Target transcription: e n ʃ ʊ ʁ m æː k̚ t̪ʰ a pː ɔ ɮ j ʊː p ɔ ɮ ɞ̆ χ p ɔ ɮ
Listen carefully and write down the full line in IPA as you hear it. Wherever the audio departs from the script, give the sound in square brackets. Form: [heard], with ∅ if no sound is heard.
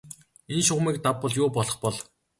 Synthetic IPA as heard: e n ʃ ʊ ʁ m [iː] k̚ [t̪] a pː ɔ ɮ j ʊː p ɔ ɮ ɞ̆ χ p ɔ ɮ